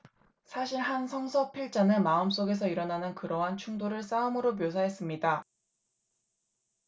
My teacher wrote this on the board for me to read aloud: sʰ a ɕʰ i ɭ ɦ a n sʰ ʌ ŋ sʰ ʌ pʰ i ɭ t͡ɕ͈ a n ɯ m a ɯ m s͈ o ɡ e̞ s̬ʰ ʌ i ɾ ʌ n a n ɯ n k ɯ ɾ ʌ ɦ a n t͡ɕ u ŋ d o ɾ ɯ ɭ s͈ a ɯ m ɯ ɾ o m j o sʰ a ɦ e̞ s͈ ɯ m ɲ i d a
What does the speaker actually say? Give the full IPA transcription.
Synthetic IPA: sʰ a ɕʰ i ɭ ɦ a n sʰ ʌ ŋ sʰ ʌ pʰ i ɭ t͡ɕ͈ a n ɯ m a ɯ m s͈ o ɡ e̞ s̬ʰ ʌ i ɾ ʌ n a n ɯ n k ɯ ɾ ʌ ɦ a n t͡ɕʰ u ŋ d o ɾ ɯ ɭ s͈ a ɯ m ɯ ɾ o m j o sʰ a ɦ e̞ s͈ ɯ m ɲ i d a